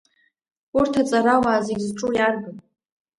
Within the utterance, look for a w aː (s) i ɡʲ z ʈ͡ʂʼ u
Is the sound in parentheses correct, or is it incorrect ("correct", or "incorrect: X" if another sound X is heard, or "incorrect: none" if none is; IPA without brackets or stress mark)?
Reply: incorrect: z